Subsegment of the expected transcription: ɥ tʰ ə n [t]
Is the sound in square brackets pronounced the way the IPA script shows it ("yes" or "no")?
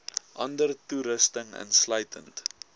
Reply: yes